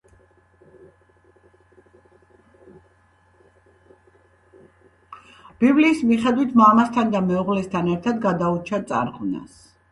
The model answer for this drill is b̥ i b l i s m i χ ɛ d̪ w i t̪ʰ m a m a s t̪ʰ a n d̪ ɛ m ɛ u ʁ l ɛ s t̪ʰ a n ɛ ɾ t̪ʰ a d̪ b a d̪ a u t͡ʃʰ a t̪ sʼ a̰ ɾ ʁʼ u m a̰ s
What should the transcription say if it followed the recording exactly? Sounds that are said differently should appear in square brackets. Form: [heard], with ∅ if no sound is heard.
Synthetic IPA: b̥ i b l [iː] s m i χ ɛ d̪ w i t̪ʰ m a m a s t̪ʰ a n d̪ [a] m ɛ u ʁ l ɛ s t̪ʰ a n ɛ ɾ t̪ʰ a d̪ [ɡ] a d̪ a u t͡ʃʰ a t̪ sʼ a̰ ɾ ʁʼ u [n] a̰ s